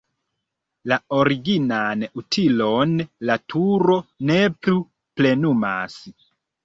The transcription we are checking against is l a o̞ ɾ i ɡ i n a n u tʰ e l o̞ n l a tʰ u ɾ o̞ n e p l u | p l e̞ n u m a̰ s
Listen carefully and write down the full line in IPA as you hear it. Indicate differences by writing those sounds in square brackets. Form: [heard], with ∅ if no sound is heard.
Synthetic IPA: l a o̞ ɾ i ɡ i n a n u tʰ [i] l o̞ n l a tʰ u ɾ o̞ n e p l u | p l e̞ n u m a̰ s